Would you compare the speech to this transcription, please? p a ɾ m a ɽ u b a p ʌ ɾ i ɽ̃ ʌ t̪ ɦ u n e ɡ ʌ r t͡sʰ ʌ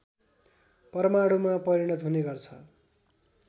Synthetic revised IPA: p ʌ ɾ m a ɽ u m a p ʌ ɾ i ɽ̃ ʌ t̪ ɦ u n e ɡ ʌ r t͡sʰ ʌ